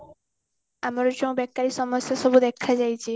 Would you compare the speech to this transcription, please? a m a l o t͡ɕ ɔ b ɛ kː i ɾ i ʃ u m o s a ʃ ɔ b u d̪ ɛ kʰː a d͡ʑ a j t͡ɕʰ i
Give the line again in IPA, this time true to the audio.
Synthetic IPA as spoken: a m a ɾ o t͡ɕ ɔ b ɛ kː a ɾ i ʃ ɔ m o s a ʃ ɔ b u d̪ ɛ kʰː a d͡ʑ a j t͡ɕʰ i